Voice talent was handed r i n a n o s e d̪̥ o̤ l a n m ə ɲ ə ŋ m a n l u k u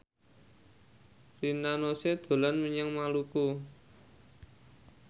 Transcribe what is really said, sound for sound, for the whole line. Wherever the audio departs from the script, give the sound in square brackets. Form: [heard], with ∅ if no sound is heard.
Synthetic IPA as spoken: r i n a n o s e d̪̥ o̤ l a n m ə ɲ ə ŋ m a [∅] l u k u